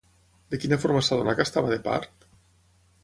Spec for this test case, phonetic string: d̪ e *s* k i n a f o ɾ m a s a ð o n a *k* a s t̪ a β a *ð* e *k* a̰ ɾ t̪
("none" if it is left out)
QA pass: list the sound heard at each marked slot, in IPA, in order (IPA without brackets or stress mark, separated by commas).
none, k, ð, p